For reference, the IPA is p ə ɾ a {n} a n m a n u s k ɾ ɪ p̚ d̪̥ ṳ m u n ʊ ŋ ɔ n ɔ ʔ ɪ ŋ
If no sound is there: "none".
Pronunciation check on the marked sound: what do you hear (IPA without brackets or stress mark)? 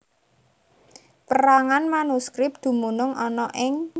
ŋ